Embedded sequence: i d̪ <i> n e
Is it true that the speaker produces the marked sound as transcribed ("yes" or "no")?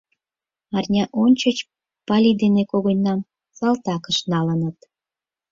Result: no